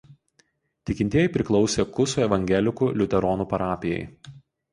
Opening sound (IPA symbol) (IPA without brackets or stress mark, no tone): t̪ʲ